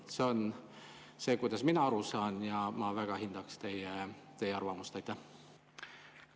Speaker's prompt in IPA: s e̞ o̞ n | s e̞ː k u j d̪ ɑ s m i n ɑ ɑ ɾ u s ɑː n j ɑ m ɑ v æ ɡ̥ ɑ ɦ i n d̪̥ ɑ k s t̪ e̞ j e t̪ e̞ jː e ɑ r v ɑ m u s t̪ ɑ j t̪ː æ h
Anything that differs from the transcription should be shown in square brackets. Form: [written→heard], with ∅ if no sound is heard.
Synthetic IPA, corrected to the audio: s e̞ o̞ n | s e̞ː k u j d̪ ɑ s m i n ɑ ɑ ɾ u s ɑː n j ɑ m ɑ v æ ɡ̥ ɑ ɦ i n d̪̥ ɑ k s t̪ e̞ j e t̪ e̞ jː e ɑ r v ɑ m u s t̪ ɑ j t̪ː æ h